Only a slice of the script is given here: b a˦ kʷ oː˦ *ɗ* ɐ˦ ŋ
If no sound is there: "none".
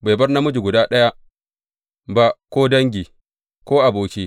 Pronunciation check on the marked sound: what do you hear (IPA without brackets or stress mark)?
d